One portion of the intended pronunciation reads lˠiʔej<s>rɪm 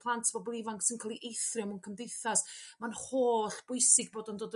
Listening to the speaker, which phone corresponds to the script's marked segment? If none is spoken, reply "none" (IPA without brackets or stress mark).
θ